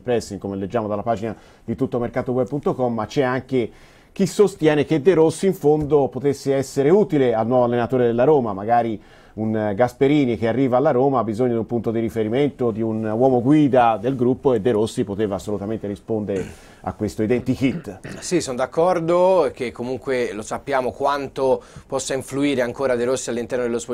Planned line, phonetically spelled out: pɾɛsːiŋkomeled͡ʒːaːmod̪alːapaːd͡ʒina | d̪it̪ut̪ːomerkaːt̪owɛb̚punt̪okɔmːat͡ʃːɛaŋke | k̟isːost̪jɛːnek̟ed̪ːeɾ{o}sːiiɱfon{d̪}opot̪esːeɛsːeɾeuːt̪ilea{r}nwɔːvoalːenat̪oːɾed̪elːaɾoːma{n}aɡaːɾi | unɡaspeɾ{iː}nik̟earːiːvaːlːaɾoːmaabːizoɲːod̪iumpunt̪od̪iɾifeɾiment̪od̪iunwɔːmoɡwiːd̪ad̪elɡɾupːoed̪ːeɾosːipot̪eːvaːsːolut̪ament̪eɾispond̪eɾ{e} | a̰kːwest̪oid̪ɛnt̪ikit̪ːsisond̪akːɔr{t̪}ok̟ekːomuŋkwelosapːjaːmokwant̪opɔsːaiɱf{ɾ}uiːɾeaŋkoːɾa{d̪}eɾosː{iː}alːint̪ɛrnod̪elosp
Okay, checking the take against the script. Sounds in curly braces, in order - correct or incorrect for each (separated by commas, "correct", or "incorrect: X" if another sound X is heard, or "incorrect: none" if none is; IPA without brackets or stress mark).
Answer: correct, correct, incorrect: l, incorrect: m, correct, correct, incorrect: d̪, incorrect: l, correct, incorrect: i